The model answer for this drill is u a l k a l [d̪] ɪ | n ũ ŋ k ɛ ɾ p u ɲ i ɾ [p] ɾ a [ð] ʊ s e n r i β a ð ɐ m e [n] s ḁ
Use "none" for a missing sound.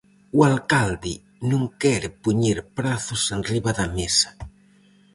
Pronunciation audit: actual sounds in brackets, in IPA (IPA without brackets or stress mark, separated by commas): d̪, p, θ, none